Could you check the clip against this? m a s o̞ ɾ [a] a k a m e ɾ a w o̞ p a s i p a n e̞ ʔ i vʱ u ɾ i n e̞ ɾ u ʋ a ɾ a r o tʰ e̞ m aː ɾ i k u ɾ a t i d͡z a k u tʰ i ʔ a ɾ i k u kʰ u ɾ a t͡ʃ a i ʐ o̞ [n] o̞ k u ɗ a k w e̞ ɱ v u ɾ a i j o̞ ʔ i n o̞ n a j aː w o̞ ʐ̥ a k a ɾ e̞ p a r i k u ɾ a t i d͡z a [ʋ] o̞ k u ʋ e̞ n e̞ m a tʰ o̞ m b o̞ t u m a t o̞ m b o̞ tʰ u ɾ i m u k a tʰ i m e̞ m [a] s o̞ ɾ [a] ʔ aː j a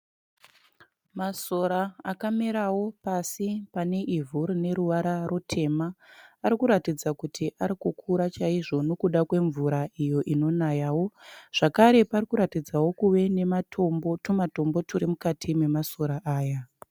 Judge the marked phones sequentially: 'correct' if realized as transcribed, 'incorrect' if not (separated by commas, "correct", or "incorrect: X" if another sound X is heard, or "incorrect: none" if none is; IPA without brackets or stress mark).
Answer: correct, correct, incorrect: w, correct, correct